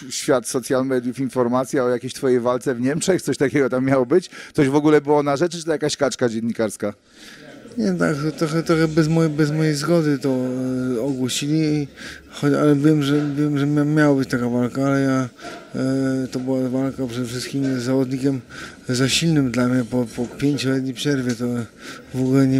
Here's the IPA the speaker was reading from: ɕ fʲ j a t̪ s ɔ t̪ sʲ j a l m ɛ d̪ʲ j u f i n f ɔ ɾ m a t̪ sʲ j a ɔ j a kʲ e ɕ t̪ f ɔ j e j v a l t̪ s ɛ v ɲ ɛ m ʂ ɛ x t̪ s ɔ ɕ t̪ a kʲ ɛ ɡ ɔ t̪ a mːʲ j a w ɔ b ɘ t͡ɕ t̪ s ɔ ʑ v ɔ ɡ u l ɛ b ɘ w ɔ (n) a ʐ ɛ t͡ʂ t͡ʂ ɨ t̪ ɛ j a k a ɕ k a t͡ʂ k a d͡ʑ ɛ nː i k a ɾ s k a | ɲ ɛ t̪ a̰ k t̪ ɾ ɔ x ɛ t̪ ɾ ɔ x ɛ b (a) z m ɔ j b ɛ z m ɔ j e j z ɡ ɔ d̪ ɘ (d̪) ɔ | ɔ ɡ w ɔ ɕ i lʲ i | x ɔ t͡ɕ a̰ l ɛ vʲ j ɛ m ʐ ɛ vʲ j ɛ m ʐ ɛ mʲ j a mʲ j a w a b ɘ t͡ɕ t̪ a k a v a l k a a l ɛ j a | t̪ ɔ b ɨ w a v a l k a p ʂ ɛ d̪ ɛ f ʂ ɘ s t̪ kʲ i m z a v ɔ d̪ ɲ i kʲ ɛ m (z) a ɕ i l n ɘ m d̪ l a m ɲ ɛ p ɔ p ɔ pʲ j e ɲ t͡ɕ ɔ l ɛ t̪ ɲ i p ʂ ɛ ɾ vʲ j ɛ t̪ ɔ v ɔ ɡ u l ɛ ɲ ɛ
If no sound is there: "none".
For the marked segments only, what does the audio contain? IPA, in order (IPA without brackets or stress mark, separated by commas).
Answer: n, ɛ, t̪, z